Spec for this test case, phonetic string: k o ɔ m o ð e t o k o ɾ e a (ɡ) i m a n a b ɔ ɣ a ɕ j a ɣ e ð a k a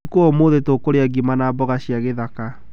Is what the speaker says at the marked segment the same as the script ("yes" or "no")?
yes